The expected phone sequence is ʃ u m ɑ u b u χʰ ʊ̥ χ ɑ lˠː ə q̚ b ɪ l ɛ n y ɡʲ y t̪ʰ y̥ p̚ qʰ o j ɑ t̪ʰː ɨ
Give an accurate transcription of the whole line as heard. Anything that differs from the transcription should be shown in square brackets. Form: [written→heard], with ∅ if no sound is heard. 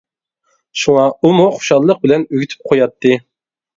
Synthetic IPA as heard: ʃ u [m→ŋ] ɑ u [b→m] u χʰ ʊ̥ [χ→ʃ] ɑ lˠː ə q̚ b ɪ l ɛ n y ɡʲ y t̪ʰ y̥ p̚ qʰ o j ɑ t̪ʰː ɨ